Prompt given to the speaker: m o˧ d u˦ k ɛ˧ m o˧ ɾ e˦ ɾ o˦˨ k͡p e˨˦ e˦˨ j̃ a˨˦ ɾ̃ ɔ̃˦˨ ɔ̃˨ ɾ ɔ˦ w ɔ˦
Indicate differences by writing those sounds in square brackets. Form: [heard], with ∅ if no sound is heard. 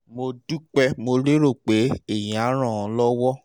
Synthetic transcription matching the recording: m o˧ d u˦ [k͡p] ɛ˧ m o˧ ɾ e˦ ɾ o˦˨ k͡p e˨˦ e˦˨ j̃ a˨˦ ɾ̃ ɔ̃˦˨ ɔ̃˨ [l] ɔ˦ w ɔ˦